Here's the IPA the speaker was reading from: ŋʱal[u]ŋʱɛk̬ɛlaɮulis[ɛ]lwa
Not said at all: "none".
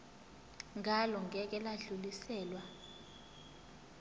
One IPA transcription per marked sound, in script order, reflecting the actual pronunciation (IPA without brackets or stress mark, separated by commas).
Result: ɔ, ɛː